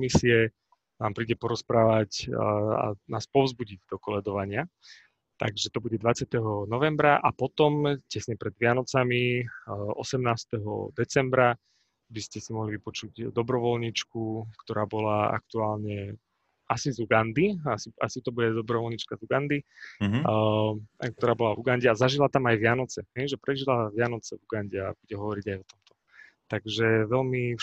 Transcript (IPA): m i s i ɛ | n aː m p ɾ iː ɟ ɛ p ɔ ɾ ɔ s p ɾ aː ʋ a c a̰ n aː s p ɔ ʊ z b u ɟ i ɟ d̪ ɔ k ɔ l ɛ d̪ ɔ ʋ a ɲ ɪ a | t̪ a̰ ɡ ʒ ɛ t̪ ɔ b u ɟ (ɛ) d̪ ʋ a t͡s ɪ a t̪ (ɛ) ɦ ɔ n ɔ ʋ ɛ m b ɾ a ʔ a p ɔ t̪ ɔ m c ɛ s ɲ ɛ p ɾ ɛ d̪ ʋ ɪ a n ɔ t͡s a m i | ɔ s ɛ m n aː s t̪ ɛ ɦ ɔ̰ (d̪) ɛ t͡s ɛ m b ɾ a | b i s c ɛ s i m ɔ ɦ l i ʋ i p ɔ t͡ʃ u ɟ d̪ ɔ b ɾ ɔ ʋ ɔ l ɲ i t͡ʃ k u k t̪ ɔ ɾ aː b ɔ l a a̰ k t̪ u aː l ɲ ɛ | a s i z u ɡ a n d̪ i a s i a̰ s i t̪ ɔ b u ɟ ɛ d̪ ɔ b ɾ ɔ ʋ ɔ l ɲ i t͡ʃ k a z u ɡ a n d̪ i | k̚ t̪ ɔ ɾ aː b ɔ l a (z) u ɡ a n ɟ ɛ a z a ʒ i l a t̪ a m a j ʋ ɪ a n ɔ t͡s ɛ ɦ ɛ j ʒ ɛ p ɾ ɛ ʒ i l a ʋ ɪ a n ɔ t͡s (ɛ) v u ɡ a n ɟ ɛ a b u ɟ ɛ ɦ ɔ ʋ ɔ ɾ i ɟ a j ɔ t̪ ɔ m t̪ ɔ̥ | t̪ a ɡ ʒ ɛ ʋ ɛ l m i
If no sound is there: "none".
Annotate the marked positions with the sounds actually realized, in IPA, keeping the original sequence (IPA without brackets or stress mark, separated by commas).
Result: ɛ, ɛ, d̪, v, ɛ